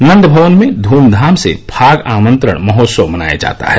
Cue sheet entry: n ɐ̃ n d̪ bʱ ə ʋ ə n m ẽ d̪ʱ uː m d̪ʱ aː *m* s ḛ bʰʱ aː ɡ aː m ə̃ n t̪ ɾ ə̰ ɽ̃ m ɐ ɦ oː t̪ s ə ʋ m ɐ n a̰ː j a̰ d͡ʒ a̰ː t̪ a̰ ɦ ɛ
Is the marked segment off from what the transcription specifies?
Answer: no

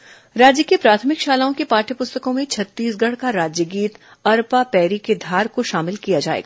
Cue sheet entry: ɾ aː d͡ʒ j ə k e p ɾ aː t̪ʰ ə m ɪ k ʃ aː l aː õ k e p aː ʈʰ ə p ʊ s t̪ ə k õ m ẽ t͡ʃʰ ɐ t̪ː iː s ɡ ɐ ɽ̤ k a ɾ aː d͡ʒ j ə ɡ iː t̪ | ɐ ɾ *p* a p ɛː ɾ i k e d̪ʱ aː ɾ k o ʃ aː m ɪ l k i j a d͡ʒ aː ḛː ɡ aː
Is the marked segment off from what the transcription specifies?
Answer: no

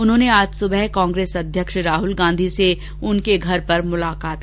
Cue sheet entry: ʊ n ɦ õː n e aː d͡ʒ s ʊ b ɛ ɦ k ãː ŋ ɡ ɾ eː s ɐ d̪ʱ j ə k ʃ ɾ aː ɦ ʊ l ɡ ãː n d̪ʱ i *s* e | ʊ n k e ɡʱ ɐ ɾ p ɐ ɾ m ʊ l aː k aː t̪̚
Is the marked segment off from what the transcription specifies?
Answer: no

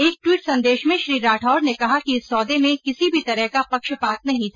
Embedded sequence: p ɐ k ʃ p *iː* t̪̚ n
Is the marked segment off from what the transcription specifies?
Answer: yes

